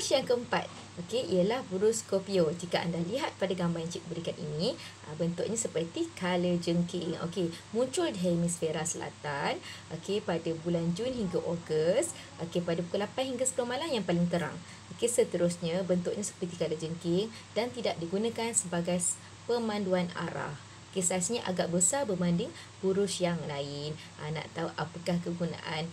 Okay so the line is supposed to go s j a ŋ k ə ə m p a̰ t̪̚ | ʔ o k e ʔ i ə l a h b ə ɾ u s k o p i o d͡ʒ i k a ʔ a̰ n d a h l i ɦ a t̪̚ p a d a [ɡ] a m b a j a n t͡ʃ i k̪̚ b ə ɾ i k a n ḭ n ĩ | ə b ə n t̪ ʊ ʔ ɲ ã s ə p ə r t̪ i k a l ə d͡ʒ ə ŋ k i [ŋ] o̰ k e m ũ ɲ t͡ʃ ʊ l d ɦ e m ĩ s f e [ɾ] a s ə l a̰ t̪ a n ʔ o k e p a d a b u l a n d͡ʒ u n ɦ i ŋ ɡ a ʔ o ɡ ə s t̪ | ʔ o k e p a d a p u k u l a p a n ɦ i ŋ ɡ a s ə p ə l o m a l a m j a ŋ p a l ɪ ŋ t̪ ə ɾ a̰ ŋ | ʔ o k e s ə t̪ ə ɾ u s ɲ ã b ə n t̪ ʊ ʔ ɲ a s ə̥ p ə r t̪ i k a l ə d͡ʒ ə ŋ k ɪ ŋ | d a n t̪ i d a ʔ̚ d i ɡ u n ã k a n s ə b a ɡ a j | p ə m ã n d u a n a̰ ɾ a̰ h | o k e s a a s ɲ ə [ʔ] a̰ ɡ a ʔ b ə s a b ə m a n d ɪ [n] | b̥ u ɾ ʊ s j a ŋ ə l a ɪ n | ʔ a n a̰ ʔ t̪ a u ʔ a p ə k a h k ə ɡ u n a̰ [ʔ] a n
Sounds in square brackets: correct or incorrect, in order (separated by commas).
correct, correct, correct, correct, incorrect, correct